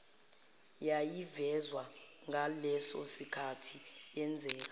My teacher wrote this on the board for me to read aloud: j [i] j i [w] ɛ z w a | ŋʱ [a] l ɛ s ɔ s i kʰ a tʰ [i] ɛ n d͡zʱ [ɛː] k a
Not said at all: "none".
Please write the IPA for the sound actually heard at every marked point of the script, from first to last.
a, v, a, i, ɛː

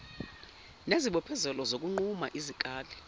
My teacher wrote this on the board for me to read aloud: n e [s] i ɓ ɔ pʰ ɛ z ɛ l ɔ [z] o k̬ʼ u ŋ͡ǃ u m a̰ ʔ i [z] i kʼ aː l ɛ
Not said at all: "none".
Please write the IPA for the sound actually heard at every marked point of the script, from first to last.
z, z, z

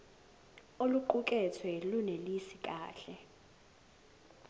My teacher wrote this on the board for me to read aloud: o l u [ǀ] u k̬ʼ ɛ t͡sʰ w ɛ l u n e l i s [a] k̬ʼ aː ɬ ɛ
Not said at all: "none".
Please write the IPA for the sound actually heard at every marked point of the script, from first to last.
ǃ, i

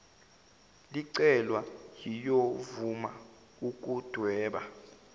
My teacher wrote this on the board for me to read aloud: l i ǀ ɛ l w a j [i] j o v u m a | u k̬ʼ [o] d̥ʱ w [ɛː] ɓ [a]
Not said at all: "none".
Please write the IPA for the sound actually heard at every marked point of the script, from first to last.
i, u, ɛː, a

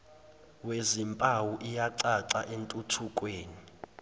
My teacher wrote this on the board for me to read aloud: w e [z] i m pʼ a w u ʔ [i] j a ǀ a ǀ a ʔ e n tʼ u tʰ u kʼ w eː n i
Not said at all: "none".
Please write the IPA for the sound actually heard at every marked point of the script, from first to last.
z, i

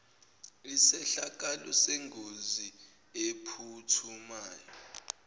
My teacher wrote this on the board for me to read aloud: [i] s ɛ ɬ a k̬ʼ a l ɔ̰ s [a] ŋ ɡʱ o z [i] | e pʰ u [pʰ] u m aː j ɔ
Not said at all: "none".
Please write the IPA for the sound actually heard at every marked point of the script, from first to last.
i, e, i, tʰ

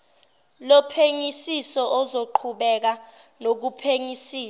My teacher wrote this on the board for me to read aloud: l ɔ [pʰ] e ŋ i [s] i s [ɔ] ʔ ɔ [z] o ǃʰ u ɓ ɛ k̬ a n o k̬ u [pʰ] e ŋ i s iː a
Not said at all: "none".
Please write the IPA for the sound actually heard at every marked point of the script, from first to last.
pʰ, s, ɔ, z, pʰ

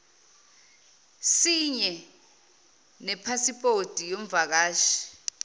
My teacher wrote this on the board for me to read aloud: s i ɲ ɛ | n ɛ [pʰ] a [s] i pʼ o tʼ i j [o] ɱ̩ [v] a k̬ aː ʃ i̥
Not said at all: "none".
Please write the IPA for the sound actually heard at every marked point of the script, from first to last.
pʰ, s, o, v

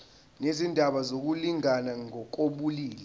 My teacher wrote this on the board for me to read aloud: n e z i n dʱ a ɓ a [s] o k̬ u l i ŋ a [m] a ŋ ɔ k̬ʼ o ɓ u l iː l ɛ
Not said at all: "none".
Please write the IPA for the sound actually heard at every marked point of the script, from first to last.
z, n

